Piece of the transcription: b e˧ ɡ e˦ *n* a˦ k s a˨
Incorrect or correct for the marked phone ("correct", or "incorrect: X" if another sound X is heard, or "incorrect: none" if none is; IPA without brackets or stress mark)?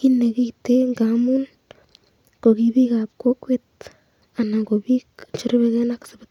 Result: correct